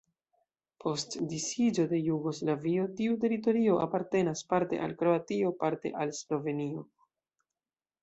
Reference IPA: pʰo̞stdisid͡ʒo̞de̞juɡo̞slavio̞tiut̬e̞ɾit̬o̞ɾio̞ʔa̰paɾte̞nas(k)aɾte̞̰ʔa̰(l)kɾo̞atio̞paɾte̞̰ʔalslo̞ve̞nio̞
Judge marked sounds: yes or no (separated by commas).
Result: no, yes